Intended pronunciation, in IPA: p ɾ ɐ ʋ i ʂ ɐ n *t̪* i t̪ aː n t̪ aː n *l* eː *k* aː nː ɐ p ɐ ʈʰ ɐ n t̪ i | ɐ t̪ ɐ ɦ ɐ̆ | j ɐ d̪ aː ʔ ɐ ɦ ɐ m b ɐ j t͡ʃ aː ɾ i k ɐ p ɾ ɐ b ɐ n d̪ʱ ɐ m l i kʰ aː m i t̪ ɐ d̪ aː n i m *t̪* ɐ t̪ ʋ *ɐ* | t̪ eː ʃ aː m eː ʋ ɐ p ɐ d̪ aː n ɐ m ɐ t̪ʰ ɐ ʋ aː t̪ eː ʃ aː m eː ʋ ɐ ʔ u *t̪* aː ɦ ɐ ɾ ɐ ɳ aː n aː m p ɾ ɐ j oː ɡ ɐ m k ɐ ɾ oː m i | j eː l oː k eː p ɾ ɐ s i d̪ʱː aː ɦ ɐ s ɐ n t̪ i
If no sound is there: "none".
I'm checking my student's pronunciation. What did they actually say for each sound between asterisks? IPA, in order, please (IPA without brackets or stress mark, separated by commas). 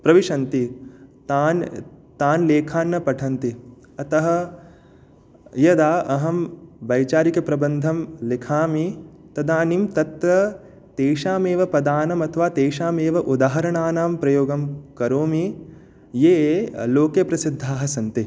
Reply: t̪, l, kʰ, t̪, ɐ, d̪